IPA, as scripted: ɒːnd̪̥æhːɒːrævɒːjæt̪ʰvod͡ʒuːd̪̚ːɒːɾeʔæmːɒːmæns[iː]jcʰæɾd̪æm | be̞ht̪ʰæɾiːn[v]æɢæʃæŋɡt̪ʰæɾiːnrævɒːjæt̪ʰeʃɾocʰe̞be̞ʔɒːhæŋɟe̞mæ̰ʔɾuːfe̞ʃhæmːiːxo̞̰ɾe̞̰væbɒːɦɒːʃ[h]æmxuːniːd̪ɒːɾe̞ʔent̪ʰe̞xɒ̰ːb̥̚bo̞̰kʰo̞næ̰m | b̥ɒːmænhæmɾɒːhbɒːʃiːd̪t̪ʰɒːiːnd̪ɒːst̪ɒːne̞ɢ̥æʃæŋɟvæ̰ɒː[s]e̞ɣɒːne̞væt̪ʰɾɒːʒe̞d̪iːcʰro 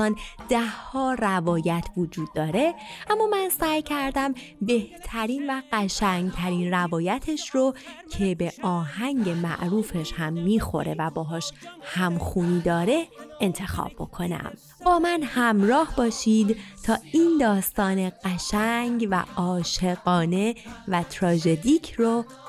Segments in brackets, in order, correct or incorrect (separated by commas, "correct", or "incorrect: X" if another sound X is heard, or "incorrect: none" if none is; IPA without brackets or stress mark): incorrect: æː, correct, correct, incorrect: ʃ